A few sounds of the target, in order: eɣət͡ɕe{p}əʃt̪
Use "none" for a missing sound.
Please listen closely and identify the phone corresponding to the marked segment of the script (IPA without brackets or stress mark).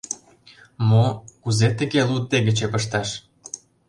p